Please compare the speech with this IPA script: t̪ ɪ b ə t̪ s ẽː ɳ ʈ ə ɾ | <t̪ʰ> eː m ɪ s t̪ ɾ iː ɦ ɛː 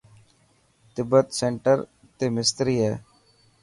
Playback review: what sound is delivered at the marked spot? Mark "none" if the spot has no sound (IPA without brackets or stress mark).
t̪